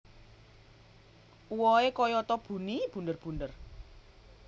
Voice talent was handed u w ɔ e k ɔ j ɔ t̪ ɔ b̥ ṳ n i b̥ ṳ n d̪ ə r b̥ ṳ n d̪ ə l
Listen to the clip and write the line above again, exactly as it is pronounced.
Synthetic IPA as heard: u w ɔ e k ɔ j ɔ t̪ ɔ b̥ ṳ n i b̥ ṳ n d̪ ə r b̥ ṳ n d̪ ə r